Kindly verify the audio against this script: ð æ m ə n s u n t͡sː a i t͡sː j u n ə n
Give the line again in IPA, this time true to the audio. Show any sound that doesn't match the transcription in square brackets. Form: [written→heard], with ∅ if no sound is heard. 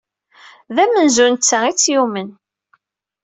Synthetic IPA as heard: ð æ m ə n [s→z] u n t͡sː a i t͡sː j u [n→m] ə n